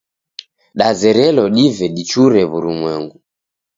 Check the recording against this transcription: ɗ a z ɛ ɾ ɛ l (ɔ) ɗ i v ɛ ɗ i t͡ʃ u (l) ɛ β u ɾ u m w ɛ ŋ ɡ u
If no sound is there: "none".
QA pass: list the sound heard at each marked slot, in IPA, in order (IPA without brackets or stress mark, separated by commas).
ɔ, ɾ